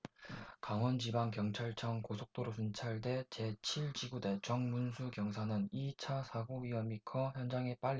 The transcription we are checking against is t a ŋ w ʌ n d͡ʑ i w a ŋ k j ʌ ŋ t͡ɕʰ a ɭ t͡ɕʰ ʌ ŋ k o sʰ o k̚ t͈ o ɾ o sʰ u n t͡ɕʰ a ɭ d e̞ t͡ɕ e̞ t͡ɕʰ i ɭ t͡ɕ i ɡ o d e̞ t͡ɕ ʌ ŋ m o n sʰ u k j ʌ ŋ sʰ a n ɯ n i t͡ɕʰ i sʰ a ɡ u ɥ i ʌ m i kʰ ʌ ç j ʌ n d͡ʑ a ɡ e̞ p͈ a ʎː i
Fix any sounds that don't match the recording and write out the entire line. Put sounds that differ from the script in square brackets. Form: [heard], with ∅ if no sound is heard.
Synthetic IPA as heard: [k] a ŋ w ʌ n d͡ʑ i [b] a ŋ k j ʌ ŋ t͡ɕʰ a ɭ t͡ɕʰ ʌ ŋ k o sʰ o k̚ t͈ o ɾ o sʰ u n t͡ɕʰ a ɭ d e̞ t͡ɕ e̞ t͡ɕʰ i ɭ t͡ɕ i ɡ [u] d e̞ t͡ɕ ʌ ŋ m [u] n sʰ u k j ʌ ŋ sʰ a n ɯ n i t͡ɕʰ [a] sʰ a ɡ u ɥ i ʌ m i kʰ ʌ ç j ʌ n d͡ʑ a [ŋ] e̞ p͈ a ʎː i